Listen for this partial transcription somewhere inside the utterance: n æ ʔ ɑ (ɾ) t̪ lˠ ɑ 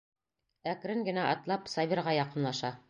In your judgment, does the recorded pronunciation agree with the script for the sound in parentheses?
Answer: no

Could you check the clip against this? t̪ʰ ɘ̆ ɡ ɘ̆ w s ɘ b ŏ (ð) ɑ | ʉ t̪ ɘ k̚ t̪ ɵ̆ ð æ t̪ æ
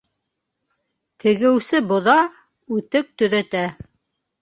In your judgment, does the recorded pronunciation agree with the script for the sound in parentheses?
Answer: yes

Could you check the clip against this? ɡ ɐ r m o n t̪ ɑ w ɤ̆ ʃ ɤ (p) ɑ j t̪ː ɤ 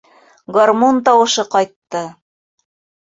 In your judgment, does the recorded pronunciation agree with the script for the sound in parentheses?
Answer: no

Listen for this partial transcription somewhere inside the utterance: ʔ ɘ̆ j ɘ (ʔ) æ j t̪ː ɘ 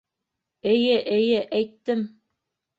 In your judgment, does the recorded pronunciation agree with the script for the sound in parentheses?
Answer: yes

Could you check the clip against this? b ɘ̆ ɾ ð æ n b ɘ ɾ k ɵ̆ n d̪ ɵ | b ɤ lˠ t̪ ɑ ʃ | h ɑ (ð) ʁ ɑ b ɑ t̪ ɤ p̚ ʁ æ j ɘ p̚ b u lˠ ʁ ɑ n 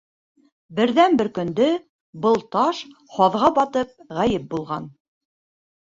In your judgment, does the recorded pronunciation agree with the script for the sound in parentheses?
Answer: yes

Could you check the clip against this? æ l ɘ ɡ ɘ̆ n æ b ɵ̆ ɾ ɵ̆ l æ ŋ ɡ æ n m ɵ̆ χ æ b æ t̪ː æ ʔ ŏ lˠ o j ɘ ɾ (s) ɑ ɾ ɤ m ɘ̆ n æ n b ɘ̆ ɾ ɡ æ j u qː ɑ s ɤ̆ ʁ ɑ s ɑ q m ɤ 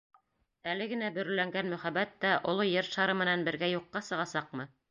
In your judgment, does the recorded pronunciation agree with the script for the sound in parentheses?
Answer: no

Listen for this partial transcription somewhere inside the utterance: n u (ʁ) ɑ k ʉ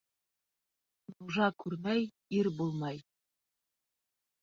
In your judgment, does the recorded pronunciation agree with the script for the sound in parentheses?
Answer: no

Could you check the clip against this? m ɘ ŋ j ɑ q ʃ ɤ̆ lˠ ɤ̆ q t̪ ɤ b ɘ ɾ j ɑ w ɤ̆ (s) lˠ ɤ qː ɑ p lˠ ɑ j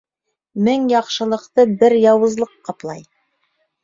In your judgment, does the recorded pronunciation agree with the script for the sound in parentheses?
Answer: no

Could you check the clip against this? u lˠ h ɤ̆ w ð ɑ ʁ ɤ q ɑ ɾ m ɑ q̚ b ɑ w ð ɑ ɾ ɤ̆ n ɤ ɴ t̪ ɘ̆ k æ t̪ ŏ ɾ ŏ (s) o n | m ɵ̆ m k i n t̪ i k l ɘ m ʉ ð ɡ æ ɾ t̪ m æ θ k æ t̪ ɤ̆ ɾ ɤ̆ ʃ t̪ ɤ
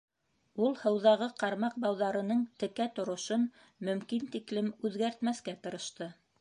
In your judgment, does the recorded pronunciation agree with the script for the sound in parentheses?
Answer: no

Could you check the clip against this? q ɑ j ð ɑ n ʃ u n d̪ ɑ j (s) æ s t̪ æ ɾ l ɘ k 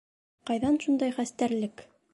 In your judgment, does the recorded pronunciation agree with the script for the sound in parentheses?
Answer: no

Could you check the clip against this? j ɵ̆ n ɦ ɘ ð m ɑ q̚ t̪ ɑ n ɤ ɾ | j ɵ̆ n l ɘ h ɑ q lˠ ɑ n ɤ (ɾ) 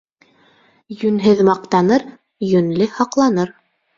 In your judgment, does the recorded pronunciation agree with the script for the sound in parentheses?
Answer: yes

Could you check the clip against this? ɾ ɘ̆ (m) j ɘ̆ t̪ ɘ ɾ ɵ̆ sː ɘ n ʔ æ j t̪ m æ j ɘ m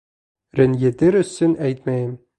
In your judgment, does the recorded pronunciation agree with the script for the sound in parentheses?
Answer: no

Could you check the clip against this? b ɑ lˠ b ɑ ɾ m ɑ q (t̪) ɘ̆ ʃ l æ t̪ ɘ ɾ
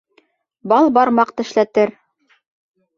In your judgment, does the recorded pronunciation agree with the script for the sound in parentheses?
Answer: yes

